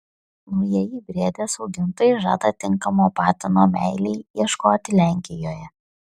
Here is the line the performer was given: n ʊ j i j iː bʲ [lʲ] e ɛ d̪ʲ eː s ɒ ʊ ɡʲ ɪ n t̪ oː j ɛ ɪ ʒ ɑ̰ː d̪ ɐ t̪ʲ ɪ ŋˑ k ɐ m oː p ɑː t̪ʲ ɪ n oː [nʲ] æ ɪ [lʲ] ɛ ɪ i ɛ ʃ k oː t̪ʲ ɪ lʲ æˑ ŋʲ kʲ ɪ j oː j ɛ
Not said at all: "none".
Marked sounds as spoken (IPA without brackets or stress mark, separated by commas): ɾʲ, mʲ, lʲ